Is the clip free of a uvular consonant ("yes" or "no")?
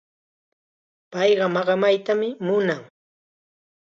no